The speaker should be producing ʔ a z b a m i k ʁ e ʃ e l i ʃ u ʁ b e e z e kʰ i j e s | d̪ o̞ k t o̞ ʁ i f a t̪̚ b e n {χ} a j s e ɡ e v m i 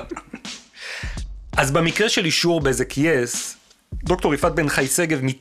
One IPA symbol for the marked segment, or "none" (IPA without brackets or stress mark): χ